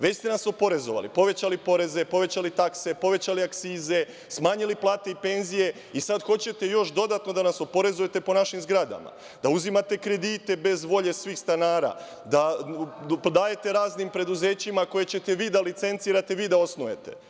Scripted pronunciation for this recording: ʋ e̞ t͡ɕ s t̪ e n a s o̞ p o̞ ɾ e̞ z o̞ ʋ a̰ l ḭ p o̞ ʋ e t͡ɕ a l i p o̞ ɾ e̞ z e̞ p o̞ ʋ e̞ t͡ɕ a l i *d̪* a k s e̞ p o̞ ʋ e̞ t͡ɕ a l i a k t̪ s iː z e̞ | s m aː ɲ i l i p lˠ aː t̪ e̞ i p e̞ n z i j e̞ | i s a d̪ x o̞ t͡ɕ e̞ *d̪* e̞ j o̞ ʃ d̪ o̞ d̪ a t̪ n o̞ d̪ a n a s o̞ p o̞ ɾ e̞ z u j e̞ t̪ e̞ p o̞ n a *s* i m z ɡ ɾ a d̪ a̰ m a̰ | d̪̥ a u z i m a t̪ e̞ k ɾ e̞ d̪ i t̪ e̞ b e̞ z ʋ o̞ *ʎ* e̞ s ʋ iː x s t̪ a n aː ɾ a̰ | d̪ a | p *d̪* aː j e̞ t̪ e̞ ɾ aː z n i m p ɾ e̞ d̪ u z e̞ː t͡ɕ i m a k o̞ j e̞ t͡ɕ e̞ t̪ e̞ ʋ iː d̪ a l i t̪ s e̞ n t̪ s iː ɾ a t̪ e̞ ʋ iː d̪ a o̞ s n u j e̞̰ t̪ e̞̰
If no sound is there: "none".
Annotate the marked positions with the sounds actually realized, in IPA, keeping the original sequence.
t̪, t̪, ʃ, ʎ, d̪

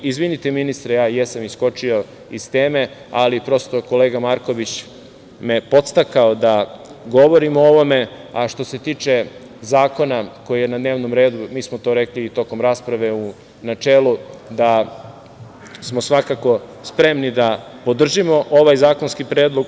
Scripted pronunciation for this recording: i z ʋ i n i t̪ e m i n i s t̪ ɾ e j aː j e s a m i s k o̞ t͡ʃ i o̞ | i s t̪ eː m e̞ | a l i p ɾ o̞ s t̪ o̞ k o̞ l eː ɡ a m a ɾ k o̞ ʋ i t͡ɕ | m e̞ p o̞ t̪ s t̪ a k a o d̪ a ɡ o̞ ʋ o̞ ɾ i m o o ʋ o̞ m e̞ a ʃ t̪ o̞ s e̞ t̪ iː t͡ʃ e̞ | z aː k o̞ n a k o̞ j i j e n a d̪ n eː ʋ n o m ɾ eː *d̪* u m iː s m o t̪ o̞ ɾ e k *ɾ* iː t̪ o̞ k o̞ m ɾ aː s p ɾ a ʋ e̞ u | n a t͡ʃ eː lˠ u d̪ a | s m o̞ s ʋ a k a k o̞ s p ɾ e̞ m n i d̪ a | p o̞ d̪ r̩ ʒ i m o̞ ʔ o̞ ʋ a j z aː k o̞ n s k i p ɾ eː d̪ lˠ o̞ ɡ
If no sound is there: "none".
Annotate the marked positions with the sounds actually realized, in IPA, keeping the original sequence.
d̪, l

